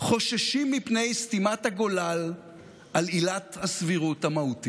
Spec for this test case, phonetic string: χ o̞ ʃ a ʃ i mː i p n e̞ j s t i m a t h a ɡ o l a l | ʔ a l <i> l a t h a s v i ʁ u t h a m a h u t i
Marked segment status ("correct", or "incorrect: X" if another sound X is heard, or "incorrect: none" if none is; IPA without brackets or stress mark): correct